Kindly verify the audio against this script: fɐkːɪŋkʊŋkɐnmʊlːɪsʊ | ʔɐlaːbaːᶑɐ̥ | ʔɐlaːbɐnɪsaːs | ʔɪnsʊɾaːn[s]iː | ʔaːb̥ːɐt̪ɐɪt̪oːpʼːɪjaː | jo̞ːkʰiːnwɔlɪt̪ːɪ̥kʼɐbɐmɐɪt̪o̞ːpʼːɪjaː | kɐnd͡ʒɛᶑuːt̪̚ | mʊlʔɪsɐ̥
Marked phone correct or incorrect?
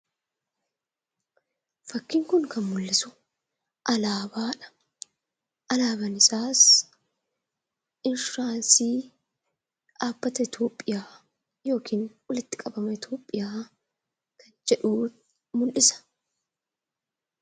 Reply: correct